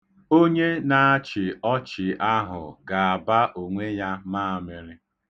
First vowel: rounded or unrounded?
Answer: rounded